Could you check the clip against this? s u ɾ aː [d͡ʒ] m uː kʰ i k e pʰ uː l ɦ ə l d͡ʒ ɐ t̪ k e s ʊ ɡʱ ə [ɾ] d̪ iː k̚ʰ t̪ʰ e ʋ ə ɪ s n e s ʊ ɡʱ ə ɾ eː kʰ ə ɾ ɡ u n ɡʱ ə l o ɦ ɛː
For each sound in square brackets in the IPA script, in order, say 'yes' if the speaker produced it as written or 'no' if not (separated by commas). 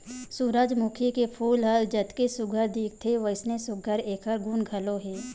yes, yes